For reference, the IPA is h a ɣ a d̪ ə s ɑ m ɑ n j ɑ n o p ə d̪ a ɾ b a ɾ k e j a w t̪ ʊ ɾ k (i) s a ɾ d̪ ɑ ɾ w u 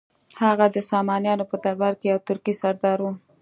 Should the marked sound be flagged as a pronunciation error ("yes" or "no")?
no